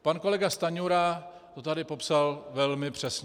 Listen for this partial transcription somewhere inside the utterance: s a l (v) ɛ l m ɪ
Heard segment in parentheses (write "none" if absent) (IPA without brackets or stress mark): v